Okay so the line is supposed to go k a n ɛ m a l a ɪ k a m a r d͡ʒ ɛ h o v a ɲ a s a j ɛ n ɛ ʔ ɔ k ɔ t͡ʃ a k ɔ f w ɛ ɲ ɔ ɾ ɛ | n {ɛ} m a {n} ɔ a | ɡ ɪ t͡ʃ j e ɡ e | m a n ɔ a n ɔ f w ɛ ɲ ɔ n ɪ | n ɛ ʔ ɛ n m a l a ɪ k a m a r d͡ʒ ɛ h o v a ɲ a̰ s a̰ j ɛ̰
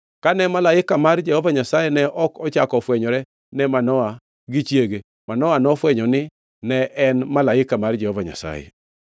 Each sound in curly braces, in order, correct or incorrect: correct, correct

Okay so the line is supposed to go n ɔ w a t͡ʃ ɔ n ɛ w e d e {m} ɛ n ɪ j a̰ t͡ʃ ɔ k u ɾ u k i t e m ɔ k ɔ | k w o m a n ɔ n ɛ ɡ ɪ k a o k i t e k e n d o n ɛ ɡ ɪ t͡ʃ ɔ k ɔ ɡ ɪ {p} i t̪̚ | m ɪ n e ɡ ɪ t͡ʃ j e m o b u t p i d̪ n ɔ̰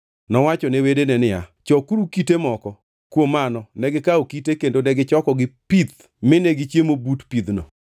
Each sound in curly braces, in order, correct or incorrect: incorrect: n, correct

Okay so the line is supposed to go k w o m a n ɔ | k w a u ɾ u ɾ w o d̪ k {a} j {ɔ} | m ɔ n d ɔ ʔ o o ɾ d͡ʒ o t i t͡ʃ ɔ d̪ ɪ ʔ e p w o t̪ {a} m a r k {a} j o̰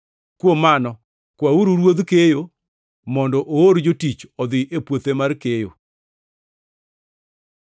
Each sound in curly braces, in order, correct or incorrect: incorrect: e, incorrect: o, incorrect: e, incorrect: e

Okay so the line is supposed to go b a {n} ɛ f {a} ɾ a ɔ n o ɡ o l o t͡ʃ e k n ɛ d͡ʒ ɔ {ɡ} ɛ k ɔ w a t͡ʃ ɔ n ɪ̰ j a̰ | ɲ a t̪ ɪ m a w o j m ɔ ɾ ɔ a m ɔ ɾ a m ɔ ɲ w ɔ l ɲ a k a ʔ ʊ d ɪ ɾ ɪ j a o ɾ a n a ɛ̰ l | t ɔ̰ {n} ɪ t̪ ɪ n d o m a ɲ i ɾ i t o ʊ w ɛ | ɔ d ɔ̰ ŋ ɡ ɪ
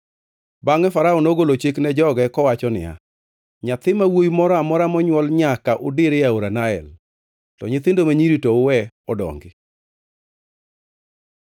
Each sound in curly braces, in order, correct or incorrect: incorrect: ŋ, correct, correct, incorrect: ɲ

